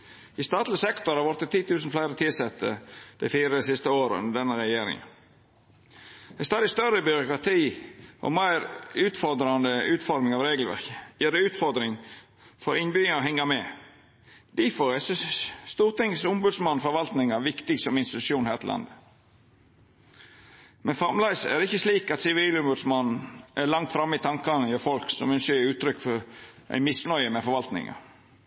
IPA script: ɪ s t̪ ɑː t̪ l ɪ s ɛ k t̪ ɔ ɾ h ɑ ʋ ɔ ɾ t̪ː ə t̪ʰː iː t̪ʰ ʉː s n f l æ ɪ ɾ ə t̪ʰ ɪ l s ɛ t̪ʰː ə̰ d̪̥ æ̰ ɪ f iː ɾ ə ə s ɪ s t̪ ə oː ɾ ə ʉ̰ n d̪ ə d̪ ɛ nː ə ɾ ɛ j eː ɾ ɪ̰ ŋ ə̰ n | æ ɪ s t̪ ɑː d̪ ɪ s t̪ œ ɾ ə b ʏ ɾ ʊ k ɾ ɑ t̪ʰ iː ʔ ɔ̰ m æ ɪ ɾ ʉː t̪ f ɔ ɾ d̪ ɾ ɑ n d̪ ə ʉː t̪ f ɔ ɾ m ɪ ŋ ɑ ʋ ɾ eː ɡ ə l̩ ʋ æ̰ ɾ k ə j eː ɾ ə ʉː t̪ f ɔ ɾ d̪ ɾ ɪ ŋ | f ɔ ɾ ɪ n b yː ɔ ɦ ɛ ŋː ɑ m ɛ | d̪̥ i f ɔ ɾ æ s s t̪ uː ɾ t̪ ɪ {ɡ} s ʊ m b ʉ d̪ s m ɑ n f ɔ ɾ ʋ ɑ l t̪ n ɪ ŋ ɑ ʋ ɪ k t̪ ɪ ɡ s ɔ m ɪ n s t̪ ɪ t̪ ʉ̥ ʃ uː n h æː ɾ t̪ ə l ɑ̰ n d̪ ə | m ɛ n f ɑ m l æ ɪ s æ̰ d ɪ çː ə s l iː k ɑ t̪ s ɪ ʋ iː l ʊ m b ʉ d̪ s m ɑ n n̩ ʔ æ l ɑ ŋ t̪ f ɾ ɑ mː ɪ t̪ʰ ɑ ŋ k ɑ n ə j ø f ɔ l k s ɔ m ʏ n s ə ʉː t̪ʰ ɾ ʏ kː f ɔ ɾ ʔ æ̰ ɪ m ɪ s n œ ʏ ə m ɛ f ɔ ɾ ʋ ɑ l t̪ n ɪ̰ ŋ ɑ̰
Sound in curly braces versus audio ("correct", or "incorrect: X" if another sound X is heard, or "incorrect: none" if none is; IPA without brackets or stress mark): incorrect: ŋ